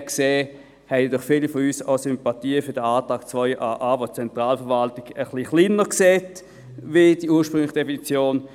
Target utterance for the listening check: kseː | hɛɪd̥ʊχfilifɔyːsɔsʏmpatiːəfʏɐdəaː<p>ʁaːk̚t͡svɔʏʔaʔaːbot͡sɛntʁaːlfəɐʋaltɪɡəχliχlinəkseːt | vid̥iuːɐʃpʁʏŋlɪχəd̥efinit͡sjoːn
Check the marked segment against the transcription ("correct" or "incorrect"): incorrect